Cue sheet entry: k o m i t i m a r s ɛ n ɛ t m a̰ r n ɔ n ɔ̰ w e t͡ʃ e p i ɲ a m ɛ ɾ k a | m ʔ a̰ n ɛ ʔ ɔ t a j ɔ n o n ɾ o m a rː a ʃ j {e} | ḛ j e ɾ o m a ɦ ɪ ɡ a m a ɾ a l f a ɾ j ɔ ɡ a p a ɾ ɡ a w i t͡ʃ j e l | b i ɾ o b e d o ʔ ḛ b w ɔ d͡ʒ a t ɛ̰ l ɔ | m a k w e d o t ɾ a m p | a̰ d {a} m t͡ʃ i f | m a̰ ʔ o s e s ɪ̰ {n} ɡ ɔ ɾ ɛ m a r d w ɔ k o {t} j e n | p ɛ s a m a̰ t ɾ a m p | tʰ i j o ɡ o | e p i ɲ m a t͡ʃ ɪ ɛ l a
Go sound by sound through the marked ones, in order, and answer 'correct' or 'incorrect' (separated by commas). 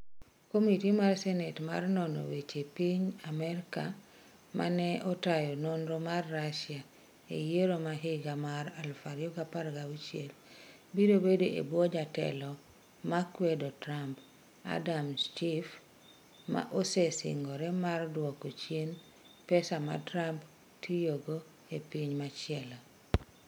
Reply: incorrect, correct, incorrect, incorrect